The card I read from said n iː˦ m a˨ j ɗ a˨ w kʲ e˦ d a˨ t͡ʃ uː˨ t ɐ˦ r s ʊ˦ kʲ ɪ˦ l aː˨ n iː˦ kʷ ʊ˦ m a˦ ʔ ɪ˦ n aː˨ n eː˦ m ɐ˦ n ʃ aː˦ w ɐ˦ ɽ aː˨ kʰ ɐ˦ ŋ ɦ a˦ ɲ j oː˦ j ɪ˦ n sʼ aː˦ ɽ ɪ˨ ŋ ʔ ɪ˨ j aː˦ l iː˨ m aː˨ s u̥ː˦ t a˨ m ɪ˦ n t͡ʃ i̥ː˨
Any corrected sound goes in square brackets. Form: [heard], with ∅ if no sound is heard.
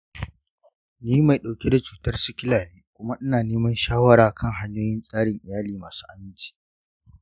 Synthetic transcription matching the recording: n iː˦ m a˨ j ɗ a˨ w kʲ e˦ d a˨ t͡ʃ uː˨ t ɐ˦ r s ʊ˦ kʲ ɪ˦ l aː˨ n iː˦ kʷ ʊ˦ m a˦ ʔ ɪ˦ n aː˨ n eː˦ m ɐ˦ n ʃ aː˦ w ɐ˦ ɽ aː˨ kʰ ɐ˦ ŋ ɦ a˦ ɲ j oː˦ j ɪ˦ n sʼ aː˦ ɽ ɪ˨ ŋ ʔ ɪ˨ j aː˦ l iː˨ m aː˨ s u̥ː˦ [ʔ] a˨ m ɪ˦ n t͡ʃ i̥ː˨